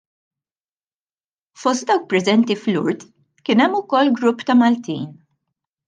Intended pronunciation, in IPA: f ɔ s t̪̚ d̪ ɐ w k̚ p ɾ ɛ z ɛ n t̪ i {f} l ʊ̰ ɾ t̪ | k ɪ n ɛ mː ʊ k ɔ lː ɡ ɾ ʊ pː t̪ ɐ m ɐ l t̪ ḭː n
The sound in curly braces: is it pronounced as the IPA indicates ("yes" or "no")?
yes